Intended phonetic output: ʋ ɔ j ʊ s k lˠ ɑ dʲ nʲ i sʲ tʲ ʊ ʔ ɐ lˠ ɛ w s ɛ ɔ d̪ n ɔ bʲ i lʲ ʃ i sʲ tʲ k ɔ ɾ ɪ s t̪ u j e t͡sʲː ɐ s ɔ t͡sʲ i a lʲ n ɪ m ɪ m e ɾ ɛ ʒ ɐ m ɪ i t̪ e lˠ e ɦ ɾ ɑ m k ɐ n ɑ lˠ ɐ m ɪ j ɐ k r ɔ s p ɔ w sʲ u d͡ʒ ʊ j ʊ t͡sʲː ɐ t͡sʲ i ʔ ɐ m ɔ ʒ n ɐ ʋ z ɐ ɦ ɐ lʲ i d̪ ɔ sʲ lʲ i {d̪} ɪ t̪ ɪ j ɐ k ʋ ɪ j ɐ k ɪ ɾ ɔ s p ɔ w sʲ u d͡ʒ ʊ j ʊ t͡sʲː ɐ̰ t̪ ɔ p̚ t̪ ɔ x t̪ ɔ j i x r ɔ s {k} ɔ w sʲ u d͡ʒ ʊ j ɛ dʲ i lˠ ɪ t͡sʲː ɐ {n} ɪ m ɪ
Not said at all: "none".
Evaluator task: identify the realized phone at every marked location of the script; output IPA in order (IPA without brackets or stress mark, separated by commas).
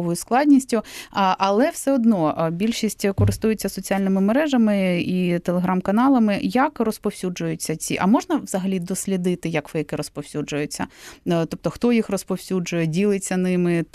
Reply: d̪, p, n